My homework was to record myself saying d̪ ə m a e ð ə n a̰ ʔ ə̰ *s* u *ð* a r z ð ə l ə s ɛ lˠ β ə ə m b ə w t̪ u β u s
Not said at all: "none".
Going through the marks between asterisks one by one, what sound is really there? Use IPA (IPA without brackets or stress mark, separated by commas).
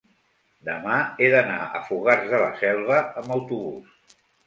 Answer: f, ɣ